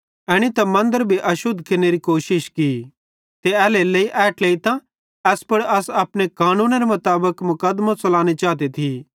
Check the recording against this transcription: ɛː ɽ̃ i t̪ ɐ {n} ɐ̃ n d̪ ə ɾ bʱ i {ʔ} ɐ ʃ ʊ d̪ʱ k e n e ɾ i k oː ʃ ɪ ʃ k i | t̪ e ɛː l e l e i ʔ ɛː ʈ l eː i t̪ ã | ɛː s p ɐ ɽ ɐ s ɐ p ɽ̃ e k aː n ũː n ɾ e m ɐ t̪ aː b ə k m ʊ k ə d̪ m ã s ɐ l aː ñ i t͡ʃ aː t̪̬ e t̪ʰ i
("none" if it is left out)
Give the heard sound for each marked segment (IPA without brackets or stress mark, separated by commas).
m, ʔ